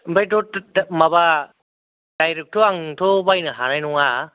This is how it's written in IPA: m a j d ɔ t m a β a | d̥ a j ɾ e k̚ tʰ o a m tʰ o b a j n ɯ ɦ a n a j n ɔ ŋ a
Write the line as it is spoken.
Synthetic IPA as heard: b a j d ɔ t m a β a | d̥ a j ɾ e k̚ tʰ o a ŋ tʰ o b a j n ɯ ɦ a n a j n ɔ ŋ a